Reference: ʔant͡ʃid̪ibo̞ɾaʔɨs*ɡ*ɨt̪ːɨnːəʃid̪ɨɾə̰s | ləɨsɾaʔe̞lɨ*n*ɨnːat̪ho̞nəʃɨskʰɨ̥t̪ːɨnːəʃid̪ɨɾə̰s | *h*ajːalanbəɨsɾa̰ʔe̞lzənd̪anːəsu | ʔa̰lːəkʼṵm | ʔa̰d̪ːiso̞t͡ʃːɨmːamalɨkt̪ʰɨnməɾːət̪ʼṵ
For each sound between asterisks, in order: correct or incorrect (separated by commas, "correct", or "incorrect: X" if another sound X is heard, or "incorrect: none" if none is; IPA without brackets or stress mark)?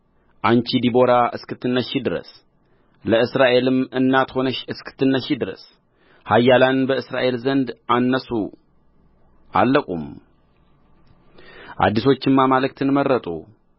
incorrect: k, incorrect: m, correct